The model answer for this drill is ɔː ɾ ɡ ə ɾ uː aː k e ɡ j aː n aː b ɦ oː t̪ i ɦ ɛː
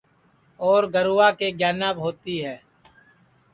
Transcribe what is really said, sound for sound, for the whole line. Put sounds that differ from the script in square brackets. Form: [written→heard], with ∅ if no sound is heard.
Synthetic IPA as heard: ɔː ɾ ɡ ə ɾ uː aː k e ɡ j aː n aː b ɦ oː t̪ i ɦ ɛː